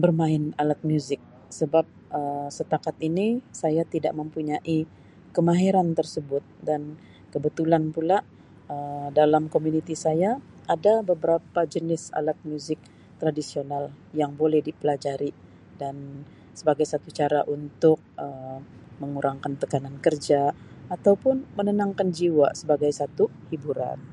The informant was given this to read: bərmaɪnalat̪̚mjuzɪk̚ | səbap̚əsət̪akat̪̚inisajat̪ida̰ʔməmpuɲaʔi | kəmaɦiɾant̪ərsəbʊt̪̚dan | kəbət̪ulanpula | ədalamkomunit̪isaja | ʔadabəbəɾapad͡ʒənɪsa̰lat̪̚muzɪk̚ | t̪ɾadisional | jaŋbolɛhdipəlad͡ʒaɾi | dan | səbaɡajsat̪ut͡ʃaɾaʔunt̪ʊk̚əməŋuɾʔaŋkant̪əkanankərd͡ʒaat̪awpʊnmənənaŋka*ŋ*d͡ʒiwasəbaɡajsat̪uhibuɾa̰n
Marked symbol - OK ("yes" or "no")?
no